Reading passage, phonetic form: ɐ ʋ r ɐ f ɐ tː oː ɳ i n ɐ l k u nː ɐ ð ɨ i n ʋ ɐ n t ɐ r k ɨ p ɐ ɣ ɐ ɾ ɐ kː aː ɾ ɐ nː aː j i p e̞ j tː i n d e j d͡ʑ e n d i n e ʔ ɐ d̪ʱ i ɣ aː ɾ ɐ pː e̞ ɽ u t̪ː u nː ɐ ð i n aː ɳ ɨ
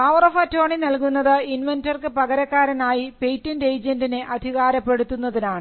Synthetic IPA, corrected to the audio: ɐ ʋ r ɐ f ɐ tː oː ɳ i n ɐ l k u nː ɐ ð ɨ i n ʋ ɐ n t ɐ r k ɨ p ɐ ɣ ɐ ɾ ɐ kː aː ɾ ɐ n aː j i p e̞ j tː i n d e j d͡ʑ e n d i n e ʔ ɐ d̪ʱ i ɣ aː ɾ ɐ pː e̞ ɽ u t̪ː u nː ɐ ð i n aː ɳ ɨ